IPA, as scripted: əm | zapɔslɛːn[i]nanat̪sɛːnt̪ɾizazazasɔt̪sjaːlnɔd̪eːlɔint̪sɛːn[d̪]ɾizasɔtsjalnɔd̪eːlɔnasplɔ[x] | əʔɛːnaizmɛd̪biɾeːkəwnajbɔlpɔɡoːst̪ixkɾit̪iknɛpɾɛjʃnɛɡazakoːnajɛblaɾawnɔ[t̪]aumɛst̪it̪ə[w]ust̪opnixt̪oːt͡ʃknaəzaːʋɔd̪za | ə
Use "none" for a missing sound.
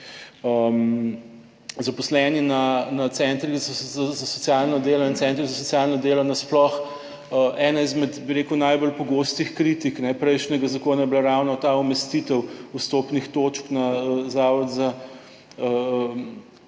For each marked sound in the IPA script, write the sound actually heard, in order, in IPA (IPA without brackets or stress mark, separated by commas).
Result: i, t̪, x, t̪, w